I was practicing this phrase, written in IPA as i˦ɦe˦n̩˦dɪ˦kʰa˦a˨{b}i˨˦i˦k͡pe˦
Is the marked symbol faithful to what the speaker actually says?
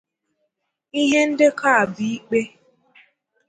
yes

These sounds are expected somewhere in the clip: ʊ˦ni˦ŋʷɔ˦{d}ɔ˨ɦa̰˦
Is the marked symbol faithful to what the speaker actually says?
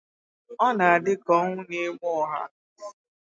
no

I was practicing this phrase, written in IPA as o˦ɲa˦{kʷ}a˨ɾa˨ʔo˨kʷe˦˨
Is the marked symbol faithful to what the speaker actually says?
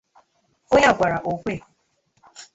no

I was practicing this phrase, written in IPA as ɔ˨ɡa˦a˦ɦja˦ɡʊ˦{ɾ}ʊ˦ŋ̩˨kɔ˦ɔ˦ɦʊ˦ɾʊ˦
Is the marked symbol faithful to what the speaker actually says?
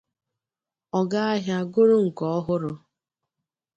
yes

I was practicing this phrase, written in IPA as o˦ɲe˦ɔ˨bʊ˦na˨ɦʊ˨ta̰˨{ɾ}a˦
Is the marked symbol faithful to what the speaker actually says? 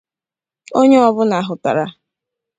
yes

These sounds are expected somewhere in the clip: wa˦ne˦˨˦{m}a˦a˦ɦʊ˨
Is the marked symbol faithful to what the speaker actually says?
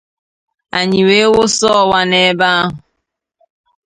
no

